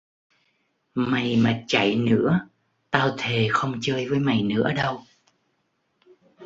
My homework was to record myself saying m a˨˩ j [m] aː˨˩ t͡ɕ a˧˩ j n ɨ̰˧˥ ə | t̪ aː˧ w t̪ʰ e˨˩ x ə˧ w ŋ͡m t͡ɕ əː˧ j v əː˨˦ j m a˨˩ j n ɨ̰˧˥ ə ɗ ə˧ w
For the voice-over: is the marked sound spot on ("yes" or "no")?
yes